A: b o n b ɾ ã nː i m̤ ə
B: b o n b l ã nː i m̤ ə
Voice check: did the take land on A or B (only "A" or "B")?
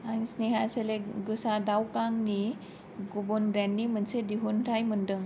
A